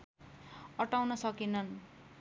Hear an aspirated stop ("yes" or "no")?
no